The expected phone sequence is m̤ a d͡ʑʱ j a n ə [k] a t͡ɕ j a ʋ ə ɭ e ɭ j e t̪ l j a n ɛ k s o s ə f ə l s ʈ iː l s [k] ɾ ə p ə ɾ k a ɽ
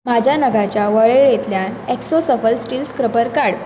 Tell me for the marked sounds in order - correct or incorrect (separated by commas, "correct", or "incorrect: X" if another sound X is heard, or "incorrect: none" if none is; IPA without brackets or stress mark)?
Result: incorrect: ɡ, correct